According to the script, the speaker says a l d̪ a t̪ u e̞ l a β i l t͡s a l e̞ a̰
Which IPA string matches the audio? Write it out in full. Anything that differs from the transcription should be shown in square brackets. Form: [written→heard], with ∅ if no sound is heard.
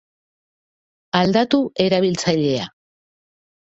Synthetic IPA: a l d̪ a t̪ u e̞ [l→ɾ] a β i l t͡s a [l→ʎ] e̞ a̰

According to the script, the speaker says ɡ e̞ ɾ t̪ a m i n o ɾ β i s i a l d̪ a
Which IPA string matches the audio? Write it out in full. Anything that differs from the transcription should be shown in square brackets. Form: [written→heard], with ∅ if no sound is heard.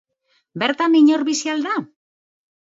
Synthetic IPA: [ɡ→b] e̞ ɾ t̪ a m i [n→ɲ] o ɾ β i s i a l d̪ a

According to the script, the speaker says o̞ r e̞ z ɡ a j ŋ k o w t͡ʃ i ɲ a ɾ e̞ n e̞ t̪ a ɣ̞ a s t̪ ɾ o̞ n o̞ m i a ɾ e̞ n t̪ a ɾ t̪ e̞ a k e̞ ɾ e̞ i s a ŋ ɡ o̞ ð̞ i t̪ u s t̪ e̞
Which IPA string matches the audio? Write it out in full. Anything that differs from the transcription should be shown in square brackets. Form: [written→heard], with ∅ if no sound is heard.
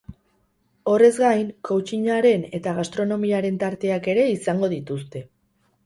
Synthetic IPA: o̞ r e̞ z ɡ a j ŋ k o w t͡ʃ i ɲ a ɾ e̞ n e̞ t̪ a ɣ̞ a s t̪ ɾ o̞ n o̞ m i a ɾ e̞ n t̪ a ɾ t̪ e̞ a k e̞ ɾ e̞ i s a ŋ ɡ o̞ ð̞ i t̪ u s t̪ e̞

